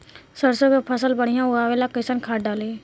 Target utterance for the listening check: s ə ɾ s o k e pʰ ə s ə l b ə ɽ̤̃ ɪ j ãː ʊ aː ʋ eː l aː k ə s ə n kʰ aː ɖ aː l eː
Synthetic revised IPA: s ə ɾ s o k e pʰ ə s ə l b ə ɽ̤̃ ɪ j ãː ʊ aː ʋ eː l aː k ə s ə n kʰ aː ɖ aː l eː